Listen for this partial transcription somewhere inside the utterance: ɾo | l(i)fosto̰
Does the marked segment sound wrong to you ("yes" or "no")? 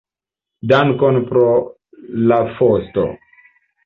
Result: yes